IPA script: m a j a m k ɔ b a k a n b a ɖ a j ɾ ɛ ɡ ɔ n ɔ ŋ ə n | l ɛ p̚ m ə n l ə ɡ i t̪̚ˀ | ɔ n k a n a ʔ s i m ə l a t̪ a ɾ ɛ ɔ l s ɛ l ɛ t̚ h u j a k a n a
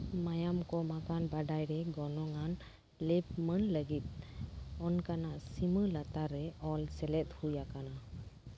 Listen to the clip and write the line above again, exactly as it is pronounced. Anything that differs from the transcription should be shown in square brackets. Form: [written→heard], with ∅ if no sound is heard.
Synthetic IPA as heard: m a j a m k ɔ [b→m] a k a n b a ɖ a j ɾ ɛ ɡ ɔ n ɔ ŋ [ə→a] n | l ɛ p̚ m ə n l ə ɡ i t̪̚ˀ | ɔ n k a n a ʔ s i m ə l a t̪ a ɾ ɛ ɔ l s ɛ l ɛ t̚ h u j a k a n a